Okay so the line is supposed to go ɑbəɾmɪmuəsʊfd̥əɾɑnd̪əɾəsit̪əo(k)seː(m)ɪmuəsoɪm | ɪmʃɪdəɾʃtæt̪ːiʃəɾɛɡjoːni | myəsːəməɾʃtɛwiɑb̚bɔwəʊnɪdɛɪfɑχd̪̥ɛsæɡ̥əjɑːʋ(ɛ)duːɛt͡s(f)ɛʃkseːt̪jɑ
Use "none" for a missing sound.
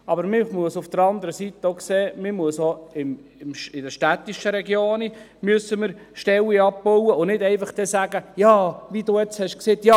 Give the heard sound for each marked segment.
k, m, i, h

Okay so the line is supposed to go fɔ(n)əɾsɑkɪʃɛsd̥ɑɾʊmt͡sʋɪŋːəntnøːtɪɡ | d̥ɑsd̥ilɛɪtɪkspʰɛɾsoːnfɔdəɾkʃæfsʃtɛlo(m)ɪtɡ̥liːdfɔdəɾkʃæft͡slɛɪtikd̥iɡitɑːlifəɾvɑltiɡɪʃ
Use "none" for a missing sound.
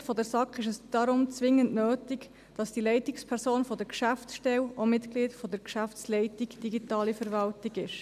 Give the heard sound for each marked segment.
d, m

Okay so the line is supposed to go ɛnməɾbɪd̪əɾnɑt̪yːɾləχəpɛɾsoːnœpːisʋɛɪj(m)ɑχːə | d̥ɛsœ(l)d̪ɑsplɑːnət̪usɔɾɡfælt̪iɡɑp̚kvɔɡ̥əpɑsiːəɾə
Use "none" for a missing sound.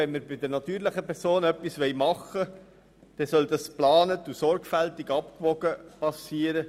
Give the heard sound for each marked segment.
m, l

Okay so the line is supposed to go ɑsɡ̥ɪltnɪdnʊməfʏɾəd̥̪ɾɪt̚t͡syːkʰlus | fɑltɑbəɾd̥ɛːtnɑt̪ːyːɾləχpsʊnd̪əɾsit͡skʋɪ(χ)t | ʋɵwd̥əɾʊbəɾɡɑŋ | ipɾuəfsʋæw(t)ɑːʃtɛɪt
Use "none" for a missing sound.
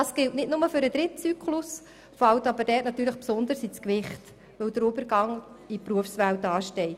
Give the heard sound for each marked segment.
χ, t

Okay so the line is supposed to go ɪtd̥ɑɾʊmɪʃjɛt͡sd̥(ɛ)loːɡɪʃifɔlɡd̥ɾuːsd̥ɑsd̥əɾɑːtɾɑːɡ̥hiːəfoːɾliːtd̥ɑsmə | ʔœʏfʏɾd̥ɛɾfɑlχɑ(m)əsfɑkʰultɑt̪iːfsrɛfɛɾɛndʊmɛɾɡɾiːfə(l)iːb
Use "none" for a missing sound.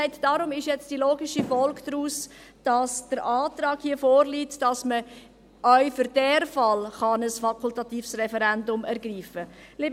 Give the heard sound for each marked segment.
i, n, l

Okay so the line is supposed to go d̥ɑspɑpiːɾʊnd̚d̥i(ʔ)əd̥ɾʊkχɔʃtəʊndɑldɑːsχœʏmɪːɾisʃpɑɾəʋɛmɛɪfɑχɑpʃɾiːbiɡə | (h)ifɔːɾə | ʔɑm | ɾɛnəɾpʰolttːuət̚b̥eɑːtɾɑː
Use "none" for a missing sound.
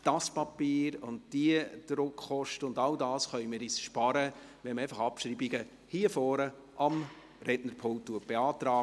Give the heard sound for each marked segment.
none, h

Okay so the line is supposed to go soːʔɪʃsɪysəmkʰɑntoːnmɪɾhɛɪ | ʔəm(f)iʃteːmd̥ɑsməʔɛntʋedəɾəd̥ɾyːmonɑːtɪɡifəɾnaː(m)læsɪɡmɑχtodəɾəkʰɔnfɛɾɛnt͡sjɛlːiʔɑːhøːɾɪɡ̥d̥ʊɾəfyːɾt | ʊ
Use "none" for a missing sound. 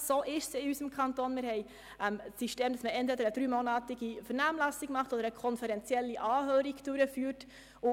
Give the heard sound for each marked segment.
s, m

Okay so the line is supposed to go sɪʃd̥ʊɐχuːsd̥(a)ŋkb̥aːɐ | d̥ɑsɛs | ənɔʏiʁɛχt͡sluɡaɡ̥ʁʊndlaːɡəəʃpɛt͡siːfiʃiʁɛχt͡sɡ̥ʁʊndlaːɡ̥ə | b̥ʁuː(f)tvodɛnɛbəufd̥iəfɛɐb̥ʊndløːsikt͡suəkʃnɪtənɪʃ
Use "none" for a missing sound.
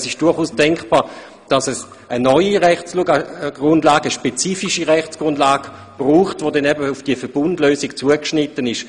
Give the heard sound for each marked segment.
ɛ, χ

